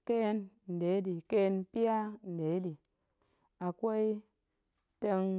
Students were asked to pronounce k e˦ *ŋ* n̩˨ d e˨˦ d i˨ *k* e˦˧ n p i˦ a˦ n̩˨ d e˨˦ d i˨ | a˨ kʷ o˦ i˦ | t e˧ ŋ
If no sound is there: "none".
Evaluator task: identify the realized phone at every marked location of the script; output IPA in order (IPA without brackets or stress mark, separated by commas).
n, k